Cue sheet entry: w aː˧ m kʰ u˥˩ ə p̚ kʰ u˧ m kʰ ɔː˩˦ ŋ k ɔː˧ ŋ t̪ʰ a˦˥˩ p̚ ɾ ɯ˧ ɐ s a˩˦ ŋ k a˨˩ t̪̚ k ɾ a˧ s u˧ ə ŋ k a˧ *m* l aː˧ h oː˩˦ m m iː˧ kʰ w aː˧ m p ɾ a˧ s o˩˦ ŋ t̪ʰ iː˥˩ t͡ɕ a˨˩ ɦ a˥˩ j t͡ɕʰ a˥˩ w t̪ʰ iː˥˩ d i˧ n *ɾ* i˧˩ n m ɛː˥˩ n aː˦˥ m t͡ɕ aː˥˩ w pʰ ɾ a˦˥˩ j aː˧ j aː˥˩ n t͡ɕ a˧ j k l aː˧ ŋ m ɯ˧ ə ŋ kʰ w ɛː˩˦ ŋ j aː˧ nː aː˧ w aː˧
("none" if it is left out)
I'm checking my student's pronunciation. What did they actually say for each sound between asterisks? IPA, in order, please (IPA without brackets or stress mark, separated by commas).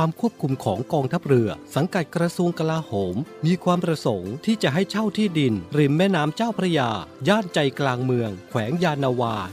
none, ɾ